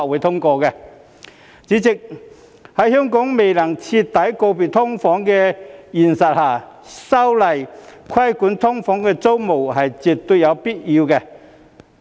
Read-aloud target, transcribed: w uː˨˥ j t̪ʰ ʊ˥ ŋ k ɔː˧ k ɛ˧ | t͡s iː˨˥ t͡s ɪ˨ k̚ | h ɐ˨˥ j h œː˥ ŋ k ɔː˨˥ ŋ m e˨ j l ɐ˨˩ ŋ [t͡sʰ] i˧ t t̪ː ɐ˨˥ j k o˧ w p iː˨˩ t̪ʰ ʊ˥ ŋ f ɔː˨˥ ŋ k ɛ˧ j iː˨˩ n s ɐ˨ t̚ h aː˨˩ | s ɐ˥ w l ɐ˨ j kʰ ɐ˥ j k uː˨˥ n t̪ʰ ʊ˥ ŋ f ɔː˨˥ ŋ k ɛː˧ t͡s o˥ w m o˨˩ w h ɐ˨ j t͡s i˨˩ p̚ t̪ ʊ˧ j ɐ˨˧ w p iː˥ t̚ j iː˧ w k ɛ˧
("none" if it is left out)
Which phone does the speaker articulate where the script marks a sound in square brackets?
t͡sʰ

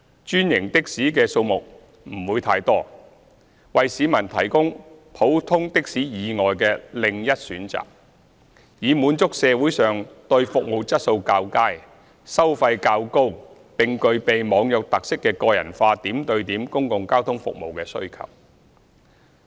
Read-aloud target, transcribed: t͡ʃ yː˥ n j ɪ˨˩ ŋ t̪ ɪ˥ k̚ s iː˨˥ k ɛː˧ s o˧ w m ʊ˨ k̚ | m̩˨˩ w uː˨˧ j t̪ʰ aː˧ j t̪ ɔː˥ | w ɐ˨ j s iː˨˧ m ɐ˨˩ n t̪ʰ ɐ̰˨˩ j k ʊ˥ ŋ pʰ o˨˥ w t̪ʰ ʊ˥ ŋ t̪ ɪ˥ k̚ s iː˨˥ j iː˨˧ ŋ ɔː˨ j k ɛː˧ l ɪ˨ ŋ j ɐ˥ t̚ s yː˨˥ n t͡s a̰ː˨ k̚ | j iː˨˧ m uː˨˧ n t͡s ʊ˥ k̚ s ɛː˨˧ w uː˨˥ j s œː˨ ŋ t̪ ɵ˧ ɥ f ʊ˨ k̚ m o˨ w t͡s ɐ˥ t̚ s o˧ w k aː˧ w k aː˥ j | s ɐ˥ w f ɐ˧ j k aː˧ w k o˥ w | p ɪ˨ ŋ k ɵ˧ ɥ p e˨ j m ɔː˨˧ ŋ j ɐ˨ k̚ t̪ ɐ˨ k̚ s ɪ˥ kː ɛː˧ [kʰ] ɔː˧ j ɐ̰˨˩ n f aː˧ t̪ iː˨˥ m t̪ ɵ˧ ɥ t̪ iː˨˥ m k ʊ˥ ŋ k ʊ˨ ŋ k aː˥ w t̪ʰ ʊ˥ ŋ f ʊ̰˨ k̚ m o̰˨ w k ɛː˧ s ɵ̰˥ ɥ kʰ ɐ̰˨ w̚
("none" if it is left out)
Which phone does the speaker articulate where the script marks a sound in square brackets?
k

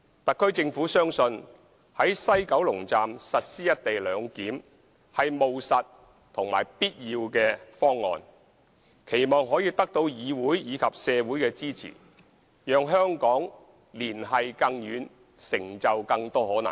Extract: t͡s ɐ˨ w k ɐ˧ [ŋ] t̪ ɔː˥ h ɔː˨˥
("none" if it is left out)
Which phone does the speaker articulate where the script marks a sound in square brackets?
ŋ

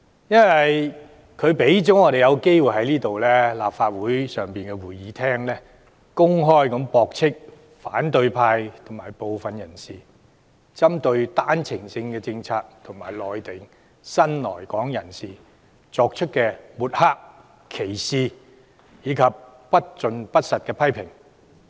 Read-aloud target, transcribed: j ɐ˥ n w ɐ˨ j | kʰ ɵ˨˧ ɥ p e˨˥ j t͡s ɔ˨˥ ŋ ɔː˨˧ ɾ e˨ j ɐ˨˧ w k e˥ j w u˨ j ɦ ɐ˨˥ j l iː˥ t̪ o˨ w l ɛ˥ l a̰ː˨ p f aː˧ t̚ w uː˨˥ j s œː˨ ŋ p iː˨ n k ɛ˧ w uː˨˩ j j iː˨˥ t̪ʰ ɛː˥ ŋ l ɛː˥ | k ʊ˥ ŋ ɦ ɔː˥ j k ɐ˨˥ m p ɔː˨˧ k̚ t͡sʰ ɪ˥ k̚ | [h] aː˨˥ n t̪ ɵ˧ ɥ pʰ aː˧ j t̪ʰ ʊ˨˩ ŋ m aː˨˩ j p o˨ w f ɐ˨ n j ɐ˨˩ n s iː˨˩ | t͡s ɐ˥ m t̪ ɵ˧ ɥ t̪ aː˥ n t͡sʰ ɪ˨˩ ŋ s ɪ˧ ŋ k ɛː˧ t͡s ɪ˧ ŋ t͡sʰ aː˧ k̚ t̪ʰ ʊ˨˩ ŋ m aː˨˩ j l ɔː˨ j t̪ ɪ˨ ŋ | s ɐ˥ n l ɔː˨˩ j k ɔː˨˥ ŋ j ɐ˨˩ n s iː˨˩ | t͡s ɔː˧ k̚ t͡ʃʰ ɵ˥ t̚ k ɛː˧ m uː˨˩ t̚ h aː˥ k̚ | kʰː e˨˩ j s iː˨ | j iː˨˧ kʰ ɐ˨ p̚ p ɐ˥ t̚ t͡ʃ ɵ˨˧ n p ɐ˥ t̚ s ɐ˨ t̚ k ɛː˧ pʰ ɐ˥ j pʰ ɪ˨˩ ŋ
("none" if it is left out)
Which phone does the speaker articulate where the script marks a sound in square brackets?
f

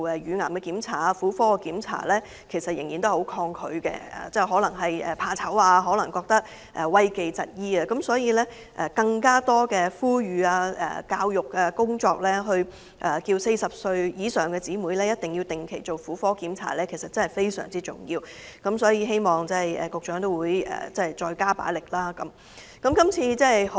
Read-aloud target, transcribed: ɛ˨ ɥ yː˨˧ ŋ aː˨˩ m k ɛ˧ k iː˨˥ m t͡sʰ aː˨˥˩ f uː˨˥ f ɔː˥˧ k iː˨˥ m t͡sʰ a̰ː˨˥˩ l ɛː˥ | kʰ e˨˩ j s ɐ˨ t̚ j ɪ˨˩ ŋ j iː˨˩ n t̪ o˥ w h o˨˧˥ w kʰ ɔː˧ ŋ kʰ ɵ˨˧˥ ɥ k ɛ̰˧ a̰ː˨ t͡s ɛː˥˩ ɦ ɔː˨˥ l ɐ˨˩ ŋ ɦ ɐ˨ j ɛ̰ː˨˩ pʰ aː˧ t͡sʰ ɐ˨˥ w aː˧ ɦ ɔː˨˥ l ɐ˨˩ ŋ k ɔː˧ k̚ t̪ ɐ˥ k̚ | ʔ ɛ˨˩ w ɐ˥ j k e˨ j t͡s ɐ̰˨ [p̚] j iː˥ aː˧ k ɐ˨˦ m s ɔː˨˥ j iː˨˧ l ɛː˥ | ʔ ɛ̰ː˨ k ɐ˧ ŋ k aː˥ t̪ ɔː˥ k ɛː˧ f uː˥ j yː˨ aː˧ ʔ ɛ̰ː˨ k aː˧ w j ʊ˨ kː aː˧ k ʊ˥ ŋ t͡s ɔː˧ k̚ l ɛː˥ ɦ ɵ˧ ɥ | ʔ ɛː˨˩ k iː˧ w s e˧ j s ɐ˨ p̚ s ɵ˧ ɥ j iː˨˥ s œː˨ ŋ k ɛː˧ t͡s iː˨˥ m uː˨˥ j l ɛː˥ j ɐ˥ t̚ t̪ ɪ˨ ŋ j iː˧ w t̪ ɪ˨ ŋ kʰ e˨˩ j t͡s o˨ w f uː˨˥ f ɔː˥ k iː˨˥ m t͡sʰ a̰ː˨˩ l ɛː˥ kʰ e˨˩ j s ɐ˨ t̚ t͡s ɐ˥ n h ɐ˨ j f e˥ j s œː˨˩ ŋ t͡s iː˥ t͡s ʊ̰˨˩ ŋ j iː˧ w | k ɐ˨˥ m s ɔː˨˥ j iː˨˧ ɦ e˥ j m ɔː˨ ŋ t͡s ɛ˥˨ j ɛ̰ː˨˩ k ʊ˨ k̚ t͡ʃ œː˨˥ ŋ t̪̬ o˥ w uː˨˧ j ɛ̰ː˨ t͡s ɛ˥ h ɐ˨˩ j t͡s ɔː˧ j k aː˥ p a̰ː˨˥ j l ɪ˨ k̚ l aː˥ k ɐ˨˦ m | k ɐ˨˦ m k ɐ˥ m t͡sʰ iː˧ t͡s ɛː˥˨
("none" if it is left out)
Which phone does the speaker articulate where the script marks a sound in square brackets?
t̚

